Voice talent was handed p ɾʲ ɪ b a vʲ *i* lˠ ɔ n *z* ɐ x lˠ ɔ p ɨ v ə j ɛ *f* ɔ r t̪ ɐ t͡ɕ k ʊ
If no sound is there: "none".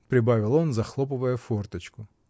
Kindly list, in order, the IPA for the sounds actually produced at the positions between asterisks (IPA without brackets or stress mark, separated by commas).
ɪ, z, f